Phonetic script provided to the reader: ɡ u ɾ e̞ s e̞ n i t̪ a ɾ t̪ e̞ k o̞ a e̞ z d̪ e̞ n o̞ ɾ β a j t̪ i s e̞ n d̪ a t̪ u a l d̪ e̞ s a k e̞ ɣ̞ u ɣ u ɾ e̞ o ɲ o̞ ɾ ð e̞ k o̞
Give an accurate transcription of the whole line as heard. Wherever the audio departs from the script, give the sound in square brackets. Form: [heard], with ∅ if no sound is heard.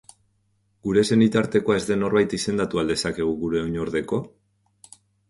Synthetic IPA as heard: ɡ u ɾ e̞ s e̞ n i t̪ a ɾ t̪ e̞ k o̞ a e̞ z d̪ e̞ n o̞ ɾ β a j t̪ i s e̞ n d̪ a t̪ u a l d̪ e̞ s a k e̞ ɣ̞ u ɣ u ɾ e̞ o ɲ o̞ ɾ ð e̞ k o̞